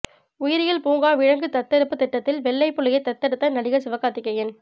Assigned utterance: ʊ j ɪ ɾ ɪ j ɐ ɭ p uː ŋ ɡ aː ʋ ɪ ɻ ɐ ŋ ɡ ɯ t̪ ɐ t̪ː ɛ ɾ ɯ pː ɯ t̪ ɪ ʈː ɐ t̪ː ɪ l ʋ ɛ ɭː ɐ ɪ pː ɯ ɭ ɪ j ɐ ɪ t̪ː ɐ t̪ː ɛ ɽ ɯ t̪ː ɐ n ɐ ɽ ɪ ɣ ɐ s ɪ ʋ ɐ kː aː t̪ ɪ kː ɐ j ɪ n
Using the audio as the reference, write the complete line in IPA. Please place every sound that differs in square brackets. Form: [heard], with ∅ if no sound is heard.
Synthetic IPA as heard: ʊ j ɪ ɾ ɪ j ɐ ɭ p uː ŋ ɡ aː ʋ ɪ ɻ ɐ ŋ ɡ ɯ t̪ ɐ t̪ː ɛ ɾ ɯ pː ɯ t̪ ɪ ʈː ɐ t̪ː ɪ l ʋ ɛ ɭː ɐ ɪ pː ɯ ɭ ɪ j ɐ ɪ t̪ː ɐ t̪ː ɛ ɽ ɯ t̪ː ɐ n ɐ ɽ ɪ ɣ ɐ s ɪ ʋ ɐ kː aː t̪ ɪ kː ɐ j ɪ n